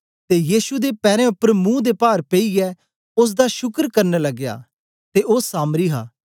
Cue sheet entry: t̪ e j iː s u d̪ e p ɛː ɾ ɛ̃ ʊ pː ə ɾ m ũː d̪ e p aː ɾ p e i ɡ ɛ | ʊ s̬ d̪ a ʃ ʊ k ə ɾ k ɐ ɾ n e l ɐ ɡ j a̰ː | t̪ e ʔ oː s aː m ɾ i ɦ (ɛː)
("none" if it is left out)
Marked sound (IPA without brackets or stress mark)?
aː